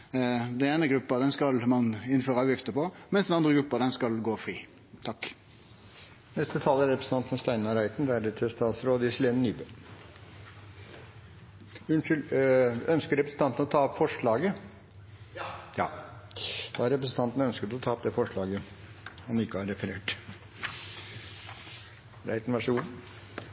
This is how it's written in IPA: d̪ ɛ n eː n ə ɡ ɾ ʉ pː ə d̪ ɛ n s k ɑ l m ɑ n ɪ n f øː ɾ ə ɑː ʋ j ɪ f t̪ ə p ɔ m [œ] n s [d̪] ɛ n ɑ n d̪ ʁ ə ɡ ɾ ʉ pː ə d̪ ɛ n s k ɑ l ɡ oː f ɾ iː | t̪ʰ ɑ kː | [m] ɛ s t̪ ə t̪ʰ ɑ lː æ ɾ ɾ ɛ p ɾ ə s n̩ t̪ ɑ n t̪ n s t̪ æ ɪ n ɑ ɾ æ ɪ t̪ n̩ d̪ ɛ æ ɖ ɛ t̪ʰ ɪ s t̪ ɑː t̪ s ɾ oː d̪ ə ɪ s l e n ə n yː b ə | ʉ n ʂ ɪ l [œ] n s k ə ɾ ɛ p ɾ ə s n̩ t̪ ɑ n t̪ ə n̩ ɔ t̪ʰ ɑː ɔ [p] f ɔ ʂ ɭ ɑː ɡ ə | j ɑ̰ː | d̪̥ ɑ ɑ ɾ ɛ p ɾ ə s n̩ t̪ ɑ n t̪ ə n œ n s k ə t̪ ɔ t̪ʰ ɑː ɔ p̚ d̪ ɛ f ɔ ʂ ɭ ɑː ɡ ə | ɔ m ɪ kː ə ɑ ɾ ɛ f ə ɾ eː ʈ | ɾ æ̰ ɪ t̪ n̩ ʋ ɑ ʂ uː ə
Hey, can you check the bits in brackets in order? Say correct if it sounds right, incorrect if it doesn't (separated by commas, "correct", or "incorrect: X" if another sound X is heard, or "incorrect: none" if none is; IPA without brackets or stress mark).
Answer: incorrect: ɛ, correct, incorrect: n, correct, correct